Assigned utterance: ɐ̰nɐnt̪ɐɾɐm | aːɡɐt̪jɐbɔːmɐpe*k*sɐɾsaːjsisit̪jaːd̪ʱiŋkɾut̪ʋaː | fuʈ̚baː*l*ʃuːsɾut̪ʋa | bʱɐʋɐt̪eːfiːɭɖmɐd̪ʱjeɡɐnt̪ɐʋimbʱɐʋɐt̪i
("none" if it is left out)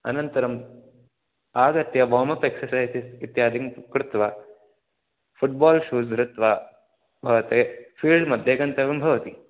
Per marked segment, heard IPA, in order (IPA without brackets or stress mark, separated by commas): k, l